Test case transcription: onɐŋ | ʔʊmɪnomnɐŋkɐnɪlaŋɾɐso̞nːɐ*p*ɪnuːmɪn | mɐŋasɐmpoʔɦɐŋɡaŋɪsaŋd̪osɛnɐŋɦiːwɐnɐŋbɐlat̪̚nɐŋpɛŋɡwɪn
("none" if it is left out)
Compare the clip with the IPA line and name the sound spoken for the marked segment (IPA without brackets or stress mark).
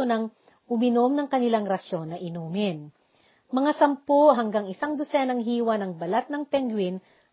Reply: ʔ